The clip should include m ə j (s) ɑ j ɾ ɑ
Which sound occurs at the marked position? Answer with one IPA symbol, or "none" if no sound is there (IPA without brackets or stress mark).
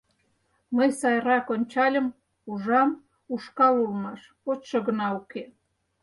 s